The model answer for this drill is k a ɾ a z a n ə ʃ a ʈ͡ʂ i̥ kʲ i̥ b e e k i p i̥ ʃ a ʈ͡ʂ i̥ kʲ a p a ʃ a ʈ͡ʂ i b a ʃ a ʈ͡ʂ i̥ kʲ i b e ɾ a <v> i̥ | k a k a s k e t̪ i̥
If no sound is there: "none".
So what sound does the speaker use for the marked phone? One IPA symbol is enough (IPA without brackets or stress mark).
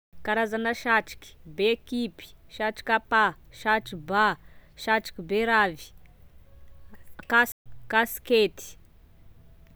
v